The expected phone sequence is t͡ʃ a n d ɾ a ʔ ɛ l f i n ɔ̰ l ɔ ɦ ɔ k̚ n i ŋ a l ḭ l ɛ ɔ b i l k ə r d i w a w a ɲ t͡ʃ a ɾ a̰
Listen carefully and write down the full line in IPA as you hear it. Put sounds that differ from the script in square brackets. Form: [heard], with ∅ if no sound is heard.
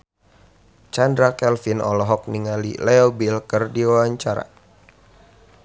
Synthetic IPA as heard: t͡ʃ a n d ɾ a [k] ɛ l f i n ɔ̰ l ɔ ɦ ɔ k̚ n i ŋ a l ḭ l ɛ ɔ b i l k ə r d i w a w a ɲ t͡ʃ a ɾ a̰